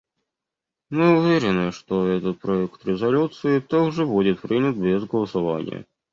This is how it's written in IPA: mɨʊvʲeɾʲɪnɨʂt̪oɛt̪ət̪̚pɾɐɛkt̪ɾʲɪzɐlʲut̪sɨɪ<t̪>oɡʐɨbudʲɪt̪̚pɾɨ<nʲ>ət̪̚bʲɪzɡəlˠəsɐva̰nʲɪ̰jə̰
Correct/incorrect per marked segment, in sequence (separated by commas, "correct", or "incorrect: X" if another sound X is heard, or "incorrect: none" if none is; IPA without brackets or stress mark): correct, correct